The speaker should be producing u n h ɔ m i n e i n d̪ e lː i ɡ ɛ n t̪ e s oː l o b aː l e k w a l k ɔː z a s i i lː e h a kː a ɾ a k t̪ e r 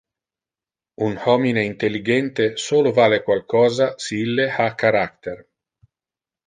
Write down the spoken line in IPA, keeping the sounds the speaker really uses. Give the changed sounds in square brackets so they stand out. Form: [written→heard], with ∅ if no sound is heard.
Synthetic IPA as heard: u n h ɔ m i n e i n [d̪→t̪] e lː i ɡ ɛ n t̪ e s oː l o [b→v] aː l e k w a l k ɔː z a s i i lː e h a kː a ɾ a k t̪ e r